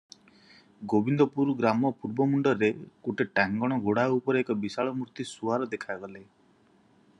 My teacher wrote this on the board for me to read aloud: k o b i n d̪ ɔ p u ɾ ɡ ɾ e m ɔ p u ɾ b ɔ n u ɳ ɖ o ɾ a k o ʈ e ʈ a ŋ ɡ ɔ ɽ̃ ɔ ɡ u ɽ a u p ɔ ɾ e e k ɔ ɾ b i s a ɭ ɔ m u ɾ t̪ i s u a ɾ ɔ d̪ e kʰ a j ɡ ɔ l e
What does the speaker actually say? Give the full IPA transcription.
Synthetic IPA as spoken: ɡ o b i n d̪ ɔ p u ɾ ɡ ɾ a m ɔ p u ɾ b ɔ m u ɳ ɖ ɔ ɾ e k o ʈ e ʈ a ŋ ɡ ɔ ɽ̃ ɔ ɡ o ɽ a u p ɔ ɾ e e k ɔ b i s a ɭ ɔ m u ɾ t̪ i s u a ɾ ɔ d̪ e kʰ a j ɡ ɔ l e